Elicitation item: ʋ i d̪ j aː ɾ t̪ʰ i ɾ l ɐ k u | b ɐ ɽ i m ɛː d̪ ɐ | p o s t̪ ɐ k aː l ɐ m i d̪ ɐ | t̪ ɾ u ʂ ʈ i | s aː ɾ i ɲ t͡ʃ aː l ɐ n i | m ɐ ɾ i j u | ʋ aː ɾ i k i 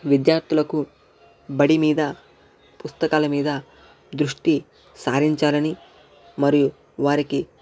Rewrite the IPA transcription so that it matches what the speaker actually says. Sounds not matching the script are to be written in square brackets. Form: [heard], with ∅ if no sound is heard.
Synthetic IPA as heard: ʋ i d̪ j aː ɾ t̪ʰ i [∅] l ɐ k u | b ɐ ɽ i m [iː] d̪ ɐ | p [u] s t̪ ɐ k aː l ɐ m [iː] d̪ ɐ | [d̪] ɾ u ʂ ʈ i | s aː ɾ i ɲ t͡ʃ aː l ɐ n i | m ɐ ɾ i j u | ʋ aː ɾ i k i